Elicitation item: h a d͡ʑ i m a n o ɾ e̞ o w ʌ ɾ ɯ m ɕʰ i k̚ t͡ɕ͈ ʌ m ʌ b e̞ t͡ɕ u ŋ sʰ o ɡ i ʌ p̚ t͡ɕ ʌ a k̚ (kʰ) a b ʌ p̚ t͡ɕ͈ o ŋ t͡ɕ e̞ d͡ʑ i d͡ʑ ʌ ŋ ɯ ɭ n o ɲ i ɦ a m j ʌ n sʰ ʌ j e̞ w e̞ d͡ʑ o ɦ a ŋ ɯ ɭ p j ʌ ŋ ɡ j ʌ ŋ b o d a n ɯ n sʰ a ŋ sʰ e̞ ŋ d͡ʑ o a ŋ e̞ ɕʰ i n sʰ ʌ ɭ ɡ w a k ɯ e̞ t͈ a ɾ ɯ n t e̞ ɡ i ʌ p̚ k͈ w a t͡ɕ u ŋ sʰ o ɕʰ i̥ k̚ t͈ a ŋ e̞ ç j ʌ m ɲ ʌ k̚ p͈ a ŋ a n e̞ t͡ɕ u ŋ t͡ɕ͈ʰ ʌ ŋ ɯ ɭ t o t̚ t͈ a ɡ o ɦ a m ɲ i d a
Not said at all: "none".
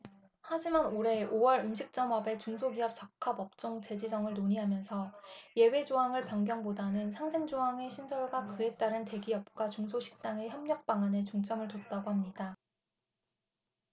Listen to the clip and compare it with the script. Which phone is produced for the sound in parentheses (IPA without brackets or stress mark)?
kʰ